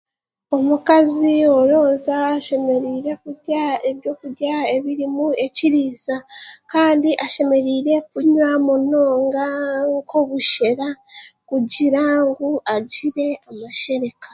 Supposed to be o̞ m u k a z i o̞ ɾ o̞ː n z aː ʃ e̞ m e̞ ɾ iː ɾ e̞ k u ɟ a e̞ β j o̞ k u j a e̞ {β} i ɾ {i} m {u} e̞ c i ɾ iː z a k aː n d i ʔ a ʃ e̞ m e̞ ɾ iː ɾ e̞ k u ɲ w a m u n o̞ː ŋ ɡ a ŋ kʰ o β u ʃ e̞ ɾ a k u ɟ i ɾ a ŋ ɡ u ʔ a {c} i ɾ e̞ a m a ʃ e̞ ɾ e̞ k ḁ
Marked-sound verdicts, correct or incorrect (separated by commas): correct, correct, correct, incorrect